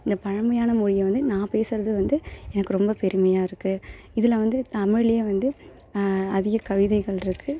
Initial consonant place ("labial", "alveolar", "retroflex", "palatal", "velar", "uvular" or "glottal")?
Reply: alveolar